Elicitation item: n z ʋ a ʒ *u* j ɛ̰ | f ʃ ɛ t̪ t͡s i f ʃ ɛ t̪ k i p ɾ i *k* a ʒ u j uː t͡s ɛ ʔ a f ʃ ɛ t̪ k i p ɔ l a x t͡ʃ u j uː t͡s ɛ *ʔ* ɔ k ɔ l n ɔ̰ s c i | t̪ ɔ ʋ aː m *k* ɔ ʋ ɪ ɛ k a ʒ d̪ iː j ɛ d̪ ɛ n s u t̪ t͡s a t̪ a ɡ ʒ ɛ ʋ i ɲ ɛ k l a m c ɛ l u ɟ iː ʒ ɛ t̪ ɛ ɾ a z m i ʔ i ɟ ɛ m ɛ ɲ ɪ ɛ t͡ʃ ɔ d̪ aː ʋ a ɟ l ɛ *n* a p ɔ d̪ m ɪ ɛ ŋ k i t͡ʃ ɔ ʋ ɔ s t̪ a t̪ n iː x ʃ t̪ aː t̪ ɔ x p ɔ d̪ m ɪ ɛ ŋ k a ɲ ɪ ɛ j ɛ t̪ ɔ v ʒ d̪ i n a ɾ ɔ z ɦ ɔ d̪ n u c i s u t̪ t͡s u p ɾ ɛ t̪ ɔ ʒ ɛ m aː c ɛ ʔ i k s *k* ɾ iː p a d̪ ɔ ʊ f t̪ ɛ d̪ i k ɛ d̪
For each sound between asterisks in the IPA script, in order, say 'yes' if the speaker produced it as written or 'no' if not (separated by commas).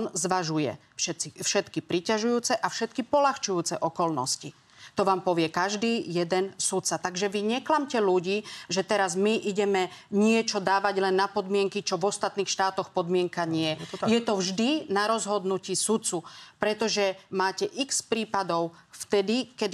yes, no, yes, no, no, no